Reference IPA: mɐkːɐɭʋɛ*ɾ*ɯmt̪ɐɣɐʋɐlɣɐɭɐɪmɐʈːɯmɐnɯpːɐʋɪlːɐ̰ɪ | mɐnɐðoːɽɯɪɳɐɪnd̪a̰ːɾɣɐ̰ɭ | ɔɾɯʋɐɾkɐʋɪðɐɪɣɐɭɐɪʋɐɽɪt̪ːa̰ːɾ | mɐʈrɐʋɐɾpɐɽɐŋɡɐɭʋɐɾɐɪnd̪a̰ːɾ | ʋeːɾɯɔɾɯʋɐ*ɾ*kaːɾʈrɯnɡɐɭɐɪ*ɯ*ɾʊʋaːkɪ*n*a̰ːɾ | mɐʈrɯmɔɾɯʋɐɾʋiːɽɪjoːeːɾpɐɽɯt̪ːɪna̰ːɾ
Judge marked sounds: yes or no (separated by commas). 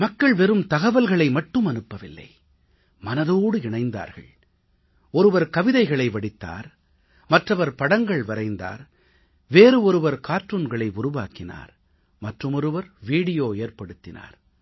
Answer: yes, yes, no, yes